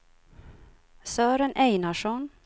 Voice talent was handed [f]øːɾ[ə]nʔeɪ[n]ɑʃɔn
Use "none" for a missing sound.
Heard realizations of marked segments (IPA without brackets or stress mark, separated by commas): s, ə, n